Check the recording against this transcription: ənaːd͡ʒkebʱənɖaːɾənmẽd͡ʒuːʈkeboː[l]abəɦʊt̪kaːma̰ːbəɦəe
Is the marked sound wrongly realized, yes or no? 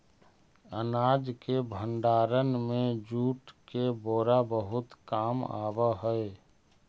yes